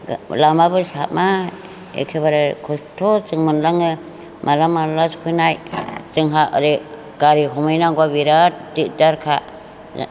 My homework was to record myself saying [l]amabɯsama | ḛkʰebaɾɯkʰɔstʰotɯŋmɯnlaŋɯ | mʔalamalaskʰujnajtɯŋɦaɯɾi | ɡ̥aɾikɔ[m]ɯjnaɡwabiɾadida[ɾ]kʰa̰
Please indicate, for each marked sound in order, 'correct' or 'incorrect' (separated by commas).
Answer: correct, correct, correct